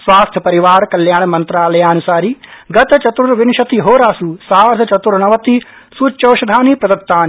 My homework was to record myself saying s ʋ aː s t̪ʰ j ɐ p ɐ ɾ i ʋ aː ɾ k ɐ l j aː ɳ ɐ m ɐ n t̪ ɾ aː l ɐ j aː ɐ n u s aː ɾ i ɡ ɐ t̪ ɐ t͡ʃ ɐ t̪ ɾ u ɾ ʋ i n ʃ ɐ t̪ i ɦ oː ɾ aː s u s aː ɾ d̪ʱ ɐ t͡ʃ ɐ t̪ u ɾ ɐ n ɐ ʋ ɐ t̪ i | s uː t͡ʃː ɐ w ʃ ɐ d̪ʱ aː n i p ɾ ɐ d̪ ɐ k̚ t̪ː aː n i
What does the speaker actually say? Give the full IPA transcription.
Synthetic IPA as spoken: s ʋ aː s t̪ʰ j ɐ p ɐ ɾ i ʋ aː ɾ k ɐ l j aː ɳ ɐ m ɐ n t̪ ɾ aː l ɐ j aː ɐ n u s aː ɾ i ɡ ɐ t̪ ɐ t͡ʃ ɐ t̪ ɾ u ɾ ʋ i n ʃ ɐ t̪ i ɦ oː ɾ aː s u s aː ɾ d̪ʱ ɐ t͡ʃ ɐ t̪ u ɾ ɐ n ɐ ʋ ɐ t̪ i | s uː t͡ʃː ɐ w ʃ ɐ d̪ʱ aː n i p ɾ ɐ d̪ ɐ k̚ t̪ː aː n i